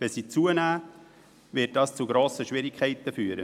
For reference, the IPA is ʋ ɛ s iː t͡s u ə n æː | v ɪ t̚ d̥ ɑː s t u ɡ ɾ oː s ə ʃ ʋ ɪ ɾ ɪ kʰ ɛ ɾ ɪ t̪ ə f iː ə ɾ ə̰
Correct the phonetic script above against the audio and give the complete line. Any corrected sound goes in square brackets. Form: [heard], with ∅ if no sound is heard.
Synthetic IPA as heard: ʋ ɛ s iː t͡s u ə n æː | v ɪ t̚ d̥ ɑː s [t͡s] u ɡ ɾ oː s ə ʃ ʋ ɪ ɾ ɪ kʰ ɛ [∅] ɪ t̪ ə f [yː] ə ɾ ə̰